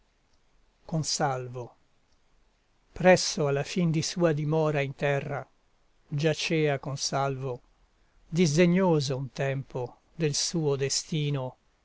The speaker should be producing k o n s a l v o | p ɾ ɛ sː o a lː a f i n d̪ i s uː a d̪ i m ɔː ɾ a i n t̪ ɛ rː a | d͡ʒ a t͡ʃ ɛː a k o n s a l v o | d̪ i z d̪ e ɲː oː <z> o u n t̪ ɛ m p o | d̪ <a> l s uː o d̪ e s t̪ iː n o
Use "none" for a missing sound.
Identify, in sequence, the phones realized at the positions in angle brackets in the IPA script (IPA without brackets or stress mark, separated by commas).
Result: z, e